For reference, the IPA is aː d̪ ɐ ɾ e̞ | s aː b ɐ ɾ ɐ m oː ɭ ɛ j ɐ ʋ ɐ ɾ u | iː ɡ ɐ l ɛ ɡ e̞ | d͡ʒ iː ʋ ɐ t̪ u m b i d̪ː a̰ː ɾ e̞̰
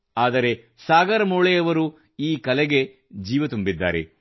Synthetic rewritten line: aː d̪ ɐ ɾ e̞ | s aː ɡ ɐ ɾ ɐ m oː ɭ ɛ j ɐ ʋ ɐ ɾ u | iː k ɐ l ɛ ɡ e̞ | d͡ʒ iː ʋ ɐ t̪ u m b i d̪ː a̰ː ɾ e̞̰